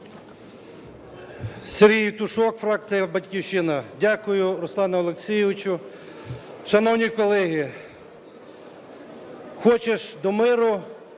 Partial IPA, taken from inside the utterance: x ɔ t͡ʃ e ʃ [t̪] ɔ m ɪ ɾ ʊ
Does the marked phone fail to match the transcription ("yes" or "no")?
yes